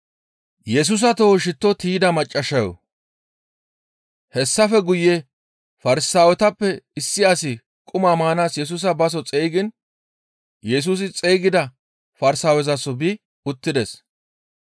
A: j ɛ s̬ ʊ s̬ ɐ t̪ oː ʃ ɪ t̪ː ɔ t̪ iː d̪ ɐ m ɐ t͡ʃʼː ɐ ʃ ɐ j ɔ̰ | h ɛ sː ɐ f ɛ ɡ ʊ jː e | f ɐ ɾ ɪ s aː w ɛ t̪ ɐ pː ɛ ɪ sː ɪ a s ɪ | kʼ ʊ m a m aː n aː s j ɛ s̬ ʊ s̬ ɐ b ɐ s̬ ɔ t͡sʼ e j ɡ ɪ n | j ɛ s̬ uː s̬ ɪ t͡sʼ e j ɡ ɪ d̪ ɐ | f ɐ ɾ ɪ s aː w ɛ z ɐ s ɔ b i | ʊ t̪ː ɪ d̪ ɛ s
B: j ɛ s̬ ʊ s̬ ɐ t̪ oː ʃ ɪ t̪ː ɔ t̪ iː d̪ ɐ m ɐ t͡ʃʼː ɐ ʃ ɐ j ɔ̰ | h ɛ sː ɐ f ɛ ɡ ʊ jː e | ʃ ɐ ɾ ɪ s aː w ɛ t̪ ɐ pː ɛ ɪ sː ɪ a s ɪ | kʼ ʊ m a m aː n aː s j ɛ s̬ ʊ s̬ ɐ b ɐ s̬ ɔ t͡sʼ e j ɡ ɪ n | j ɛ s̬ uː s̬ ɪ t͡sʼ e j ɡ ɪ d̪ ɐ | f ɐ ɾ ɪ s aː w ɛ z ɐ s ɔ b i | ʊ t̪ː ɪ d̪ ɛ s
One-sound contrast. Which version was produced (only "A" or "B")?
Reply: A